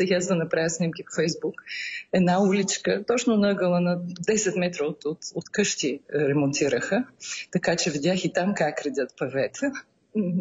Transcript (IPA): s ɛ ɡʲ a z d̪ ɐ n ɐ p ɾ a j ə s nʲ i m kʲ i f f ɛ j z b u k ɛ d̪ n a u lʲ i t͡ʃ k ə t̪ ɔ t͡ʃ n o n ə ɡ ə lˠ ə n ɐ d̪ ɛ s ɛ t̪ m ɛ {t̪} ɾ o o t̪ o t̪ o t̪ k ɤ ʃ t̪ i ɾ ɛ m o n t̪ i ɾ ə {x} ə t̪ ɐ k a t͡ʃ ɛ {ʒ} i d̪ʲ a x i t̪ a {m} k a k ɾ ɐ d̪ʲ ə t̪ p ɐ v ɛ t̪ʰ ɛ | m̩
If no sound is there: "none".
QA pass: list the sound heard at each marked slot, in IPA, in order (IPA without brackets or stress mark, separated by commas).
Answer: t̪, x, v, m